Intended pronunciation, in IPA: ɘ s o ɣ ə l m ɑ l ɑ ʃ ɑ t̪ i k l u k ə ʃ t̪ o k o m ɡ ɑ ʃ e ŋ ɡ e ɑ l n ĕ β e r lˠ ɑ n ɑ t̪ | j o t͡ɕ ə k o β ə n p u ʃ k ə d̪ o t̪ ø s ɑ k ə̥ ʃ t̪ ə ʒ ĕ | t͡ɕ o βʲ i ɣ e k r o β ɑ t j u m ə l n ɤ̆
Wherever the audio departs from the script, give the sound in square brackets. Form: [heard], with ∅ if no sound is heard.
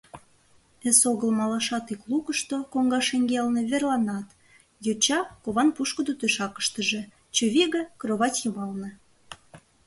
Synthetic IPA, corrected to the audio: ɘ s o ɣ ə l m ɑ l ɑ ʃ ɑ t̪ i k l u k ə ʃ t̪ o k o [ŋ] ɡ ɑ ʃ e ŋ ɡ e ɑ l n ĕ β e r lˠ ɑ n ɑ t̪ | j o t͡ɕ [ɑ] k o β [ɑ] n p u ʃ k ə d̪ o t̪ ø [ʃ] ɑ k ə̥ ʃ t̪ ə ʒ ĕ | t͡ɕ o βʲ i ɣ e k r o β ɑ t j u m [ɑ] l n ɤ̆